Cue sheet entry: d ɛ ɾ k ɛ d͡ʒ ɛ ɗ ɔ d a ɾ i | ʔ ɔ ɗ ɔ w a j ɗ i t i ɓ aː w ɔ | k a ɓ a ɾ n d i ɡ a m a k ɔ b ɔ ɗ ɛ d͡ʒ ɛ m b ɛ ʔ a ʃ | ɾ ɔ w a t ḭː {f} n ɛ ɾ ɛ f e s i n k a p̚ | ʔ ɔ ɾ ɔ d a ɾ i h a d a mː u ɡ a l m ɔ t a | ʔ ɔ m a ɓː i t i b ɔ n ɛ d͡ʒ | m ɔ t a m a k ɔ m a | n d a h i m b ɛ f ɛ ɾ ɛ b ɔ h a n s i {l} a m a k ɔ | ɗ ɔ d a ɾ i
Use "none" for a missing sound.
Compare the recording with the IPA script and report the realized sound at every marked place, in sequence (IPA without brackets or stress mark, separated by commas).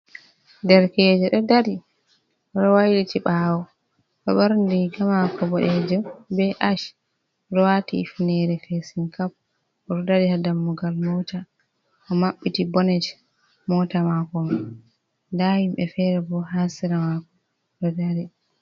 f, ɾ